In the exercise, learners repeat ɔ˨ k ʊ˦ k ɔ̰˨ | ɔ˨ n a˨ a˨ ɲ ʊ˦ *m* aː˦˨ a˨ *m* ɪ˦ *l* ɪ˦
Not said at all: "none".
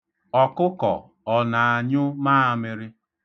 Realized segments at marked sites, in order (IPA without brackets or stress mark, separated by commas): m, m, ɾ